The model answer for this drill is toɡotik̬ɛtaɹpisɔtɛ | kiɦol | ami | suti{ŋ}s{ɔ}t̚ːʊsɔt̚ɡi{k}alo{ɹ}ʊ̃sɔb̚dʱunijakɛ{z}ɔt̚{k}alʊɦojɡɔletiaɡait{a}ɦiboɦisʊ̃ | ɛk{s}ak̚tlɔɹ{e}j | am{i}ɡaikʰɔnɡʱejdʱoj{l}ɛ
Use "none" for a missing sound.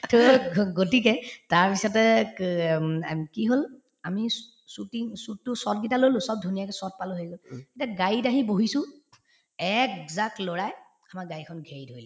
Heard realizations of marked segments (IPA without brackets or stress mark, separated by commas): ŋ, u, t, l, s, p, a, z, a, a, l